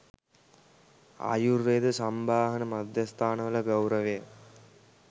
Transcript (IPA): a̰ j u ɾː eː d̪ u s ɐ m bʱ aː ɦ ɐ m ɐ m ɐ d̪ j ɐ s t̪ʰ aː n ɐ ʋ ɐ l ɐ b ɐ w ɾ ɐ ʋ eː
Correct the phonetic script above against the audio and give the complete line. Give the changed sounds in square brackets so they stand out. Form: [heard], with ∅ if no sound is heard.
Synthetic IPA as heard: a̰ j u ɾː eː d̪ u s ɐ m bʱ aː ɦ ɐ [n] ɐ m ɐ d̪ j ɐ s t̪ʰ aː n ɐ ʋ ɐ l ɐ [ɡ] ɐ w ɾ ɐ ʋ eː